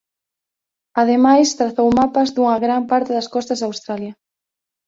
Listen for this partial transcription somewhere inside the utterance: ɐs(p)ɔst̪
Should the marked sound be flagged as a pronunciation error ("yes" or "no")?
yes